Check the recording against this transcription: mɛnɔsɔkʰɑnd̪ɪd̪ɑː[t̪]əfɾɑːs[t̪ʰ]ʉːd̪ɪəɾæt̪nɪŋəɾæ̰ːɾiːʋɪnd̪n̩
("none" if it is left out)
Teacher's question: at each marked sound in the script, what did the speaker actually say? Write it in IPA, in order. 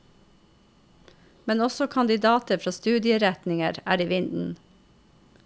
t̪, t̪

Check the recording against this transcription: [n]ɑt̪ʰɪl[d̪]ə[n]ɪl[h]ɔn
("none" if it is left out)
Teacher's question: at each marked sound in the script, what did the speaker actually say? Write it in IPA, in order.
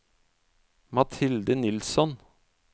m, d̪, n, s

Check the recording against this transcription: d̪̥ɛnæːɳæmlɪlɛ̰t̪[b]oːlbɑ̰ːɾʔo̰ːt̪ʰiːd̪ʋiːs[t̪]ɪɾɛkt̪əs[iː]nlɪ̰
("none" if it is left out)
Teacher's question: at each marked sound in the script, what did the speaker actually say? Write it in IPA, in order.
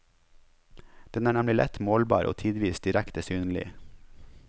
m, d̪, yː

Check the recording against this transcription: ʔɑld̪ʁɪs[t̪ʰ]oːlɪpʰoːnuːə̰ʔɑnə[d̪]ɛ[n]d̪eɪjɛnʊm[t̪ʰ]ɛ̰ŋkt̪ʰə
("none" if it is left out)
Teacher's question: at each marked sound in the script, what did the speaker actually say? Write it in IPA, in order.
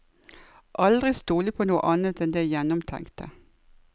t̪, t̪, n, t̪ʰ

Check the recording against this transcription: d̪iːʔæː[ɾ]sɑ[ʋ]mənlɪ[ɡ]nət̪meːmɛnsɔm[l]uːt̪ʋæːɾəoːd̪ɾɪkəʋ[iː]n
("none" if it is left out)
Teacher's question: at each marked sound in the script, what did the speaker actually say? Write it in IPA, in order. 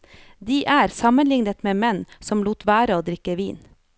ɾ, none, ŋ, l, iː

